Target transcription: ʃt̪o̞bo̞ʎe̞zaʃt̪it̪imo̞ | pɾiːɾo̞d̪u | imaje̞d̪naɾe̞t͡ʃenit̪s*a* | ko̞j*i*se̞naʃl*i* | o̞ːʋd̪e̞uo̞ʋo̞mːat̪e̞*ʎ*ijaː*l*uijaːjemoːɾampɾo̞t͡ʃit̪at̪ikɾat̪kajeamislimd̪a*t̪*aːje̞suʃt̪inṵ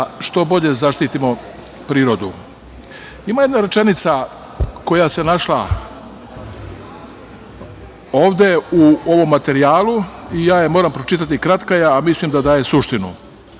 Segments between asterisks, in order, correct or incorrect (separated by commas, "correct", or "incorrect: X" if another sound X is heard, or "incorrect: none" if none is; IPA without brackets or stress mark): correct, incorrect: a, incorrect: a, incorrect: ɾ, correct, incorrect: d̪